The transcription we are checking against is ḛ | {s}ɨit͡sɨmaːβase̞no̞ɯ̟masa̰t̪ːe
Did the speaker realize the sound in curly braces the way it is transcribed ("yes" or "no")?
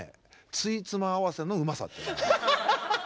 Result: no